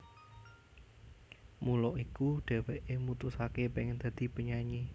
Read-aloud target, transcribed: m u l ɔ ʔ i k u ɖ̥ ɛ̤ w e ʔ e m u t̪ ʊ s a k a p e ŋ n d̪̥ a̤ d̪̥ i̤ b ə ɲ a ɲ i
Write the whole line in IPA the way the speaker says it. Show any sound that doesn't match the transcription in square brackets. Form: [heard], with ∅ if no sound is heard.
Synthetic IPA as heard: m u l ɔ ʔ i k u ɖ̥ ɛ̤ w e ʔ e m u t̪ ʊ s a k [e] p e ŋ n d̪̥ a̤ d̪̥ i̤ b ə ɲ a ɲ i